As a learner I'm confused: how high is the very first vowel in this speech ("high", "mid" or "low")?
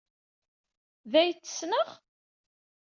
low